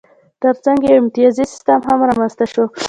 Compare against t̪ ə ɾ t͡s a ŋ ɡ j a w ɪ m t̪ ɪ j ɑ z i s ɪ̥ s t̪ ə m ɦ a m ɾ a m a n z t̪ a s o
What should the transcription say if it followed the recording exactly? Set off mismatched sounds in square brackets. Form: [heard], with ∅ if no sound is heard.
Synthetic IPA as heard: t̪ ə ɾ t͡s a ŋ ɡ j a w ɪ m t̪ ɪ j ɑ z i s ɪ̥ s t̪ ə m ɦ a m ɾ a m a n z t̪ a [ʃ] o